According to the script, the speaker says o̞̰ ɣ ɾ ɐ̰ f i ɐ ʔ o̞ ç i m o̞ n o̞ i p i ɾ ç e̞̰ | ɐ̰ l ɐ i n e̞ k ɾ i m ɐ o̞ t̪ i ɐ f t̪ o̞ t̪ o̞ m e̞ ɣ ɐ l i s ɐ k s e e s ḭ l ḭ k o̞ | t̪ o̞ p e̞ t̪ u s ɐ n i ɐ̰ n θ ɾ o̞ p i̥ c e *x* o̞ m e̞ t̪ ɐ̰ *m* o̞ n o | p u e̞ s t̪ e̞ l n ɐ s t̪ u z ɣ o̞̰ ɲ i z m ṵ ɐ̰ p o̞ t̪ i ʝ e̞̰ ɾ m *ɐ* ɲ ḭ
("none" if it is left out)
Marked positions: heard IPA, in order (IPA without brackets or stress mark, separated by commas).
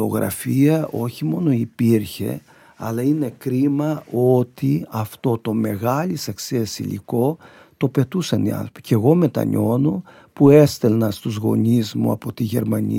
ɣ, ɲ, ɐ